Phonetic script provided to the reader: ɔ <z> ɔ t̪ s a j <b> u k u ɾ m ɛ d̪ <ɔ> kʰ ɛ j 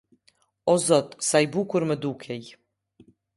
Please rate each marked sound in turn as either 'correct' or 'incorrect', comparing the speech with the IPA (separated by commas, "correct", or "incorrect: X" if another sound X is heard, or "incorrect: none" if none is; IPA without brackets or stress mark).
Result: correct, correct, incorrect: u